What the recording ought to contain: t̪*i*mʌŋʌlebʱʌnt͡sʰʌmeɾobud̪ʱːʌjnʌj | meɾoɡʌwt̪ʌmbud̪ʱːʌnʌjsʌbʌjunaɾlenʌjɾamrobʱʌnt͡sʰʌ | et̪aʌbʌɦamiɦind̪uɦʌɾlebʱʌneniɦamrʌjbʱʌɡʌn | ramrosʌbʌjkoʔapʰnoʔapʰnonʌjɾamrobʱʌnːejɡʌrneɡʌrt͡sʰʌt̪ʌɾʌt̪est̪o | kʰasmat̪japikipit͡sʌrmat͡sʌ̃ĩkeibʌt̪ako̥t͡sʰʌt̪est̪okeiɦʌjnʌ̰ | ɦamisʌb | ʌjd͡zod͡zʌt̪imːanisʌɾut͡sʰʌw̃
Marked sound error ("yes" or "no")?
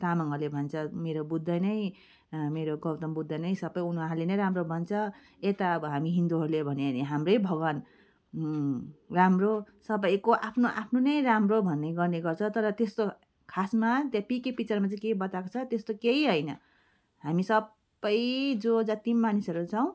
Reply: yes